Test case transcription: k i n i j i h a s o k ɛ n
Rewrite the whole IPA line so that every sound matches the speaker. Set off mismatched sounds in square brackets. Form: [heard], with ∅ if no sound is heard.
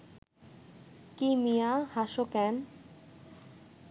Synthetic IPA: k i [m] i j [a] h a [ʃ] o k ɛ n